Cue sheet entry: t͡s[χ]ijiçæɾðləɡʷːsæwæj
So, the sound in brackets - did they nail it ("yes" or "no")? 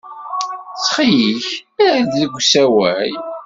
yes